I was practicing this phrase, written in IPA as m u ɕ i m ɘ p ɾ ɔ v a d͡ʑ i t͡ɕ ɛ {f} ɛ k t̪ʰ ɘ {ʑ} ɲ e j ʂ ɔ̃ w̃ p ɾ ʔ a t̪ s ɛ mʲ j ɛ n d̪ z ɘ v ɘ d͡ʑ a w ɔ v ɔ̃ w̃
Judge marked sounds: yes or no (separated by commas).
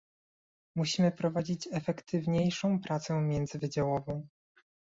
yes, no